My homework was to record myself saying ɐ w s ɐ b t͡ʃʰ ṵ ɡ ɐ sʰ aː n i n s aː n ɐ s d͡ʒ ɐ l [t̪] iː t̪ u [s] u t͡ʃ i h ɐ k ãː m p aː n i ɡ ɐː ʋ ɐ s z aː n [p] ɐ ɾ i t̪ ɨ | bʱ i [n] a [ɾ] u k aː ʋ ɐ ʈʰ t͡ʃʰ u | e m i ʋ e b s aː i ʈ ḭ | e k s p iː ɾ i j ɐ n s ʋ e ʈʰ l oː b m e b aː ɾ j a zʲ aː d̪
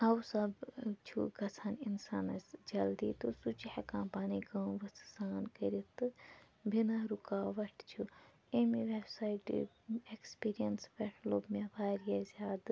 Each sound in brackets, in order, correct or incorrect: incorrect: d̪, correct, incorrect: k, correct, correct

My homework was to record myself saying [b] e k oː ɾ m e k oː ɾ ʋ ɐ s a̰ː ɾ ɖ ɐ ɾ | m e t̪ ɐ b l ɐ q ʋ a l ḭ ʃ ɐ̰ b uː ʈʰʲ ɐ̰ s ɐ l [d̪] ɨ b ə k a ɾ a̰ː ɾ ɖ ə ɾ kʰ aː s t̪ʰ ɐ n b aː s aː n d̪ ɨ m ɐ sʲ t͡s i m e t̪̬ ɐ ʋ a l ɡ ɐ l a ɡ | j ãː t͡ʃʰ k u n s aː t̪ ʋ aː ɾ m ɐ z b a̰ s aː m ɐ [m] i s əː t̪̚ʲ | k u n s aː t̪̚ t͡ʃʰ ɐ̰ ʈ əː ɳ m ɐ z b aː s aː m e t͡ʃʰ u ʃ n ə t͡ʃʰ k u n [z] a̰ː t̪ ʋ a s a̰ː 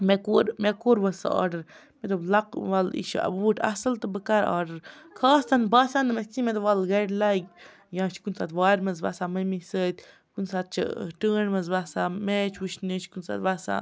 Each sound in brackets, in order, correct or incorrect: incorrect: m, incorrect: t̪, correct, incorrect: s

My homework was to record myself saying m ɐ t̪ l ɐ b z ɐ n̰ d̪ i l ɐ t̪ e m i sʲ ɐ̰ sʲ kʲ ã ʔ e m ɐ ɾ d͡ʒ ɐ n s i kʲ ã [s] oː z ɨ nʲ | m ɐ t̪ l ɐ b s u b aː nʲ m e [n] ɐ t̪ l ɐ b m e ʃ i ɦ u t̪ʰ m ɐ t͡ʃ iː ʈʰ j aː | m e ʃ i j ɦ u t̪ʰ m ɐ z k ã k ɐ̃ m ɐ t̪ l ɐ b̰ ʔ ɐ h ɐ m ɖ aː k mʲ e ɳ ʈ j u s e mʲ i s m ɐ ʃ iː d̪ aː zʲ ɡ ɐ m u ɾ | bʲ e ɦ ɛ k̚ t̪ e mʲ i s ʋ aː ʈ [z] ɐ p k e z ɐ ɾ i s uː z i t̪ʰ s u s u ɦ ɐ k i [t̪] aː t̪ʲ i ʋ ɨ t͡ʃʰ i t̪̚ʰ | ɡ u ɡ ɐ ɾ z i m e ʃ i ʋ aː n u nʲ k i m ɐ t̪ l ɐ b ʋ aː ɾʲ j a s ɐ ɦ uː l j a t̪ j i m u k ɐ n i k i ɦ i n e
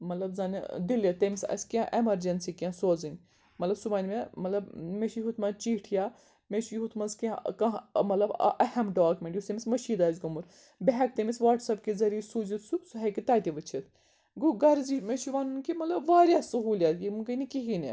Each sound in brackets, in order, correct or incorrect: correct, incorrect: m, incorrect: s, correct

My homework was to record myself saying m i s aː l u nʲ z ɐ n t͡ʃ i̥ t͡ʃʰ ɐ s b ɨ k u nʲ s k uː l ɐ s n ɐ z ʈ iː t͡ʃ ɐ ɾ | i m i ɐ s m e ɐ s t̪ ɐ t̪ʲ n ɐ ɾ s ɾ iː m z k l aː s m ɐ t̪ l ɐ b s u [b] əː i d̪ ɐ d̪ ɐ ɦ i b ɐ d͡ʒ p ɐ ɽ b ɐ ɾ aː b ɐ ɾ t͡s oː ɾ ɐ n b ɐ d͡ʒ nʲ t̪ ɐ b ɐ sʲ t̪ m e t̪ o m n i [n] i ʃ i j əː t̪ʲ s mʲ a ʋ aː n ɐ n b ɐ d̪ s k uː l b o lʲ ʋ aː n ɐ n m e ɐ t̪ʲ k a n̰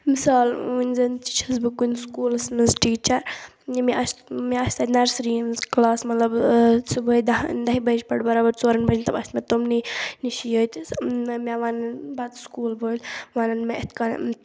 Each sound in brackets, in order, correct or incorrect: correct, correct

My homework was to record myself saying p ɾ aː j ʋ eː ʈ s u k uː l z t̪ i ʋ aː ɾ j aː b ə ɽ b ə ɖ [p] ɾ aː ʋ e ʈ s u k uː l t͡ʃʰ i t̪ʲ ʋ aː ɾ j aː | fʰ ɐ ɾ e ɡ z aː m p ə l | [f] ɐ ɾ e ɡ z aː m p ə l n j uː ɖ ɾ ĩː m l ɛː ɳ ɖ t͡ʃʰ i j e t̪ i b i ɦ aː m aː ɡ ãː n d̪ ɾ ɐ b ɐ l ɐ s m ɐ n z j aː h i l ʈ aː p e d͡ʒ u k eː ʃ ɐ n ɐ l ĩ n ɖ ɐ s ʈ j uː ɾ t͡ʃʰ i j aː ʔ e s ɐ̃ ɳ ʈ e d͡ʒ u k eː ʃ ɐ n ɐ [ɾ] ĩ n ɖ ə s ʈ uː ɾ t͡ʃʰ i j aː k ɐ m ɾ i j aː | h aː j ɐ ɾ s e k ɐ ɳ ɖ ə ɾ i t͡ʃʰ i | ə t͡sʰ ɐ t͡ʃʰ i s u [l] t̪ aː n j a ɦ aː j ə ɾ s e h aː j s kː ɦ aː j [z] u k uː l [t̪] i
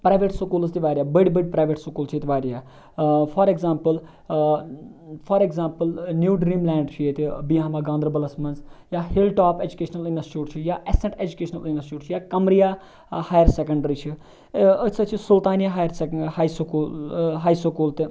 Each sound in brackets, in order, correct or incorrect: correct, correct, incorrect: l, correct, incorrect: s, correct

